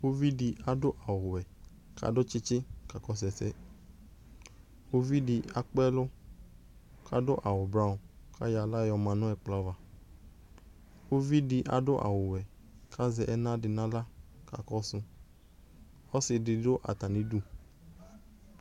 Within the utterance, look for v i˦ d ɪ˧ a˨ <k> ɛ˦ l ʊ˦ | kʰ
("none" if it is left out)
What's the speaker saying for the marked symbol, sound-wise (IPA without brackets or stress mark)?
k͡p